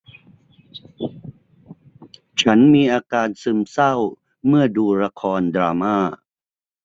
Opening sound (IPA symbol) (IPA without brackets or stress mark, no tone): t͡ɕʰ